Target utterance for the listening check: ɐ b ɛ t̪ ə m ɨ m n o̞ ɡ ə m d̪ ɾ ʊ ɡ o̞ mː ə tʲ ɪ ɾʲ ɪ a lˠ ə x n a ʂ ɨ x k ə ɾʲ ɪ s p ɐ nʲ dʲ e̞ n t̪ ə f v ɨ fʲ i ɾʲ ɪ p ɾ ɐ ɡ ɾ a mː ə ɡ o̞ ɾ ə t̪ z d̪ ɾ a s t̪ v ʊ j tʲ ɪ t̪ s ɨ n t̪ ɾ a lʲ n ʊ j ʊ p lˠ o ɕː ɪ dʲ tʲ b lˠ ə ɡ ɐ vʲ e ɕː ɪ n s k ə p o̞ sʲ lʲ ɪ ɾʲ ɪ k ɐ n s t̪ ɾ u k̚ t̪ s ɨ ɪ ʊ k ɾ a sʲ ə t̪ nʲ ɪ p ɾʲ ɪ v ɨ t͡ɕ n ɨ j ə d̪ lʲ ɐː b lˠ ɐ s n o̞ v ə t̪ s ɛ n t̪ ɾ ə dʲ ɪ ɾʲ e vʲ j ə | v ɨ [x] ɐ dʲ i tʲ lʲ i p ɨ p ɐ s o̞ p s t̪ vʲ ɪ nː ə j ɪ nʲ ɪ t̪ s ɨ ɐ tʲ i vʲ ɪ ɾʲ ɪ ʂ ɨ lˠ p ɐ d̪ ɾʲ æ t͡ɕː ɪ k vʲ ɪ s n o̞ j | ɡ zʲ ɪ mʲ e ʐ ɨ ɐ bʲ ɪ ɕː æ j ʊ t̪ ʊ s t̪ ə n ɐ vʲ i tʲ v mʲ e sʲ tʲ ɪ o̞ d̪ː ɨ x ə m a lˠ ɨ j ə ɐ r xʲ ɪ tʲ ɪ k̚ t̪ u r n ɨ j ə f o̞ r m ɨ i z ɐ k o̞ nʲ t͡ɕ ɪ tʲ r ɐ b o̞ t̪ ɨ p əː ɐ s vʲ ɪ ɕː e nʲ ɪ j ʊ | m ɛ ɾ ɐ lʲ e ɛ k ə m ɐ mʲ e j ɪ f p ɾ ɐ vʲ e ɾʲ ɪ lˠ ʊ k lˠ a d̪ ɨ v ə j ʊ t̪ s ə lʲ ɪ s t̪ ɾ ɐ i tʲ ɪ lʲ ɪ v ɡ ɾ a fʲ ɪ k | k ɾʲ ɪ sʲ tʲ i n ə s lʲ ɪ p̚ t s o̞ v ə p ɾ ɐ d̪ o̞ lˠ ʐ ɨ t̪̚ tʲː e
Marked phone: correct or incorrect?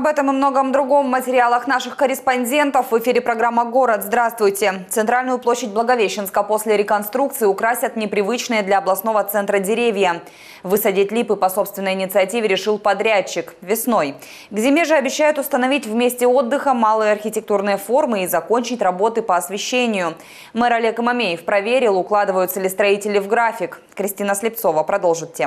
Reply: incorrect